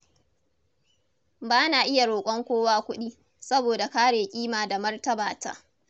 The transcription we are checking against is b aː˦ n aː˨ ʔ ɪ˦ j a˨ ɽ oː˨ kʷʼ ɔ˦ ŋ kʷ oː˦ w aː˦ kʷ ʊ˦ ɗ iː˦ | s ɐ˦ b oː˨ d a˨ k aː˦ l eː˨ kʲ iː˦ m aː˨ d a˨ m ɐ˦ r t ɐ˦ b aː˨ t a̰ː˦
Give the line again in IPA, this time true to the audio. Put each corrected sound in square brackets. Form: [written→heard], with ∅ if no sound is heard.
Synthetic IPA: b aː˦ n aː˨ ʔ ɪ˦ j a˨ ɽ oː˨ kʷʼ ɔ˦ ŋ kʷ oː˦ w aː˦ kʷ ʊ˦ ɗ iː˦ | s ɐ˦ b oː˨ d a˨ k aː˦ [l→ɽ] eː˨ [kʲ→kʲʼ] iː˦ m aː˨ d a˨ m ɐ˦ r t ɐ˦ b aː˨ t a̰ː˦